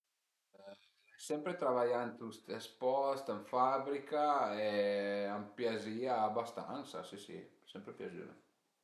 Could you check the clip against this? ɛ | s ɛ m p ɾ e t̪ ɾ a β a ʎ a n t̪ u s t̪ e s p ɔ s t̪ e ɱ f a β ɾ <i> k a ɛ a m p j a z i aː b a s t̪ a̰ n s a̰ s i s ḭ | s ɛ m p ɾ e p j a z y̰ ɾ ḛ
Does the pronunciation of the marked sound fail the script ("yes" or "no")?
no